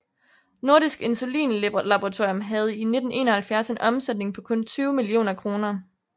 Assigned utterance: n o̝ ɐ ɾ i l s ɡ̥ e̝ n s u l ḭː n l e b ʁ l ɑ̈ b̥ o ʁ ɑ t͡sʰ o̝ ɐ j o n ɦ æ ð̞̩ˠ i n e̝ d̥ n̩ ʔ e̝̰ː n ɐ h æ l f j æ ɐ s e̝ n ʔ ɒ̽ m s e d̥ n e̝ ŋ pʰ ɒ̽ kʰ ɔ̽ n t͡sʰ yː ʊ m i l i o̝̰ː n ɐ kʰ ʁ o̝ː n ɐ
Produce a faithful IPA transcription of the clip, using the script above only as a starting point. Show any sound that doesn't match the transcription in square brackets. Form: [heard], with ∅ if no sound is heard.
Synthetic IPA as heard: n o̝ ɐ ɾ i [∅] s ɡ̥ e̝ n s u l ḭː n l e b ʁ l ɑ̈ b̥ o ʁ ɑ t͡sʰ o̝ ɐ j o [m] ɦ æ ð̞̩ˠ i n e̝ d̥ n̩ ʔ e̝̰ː n ɐ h æ l f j æ ɐ s e̝ n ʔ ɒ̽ m s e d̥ n e̝ ŋ pʰ ɒ̽ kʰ ɔ̽ n t͡sʰ yː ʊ m i l i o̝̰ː n ɐ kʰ ʁ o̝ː n ɐ